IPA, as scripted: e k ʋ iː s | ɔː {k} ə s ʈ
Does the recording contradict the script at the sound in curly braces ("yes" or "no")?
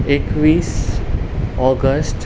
yes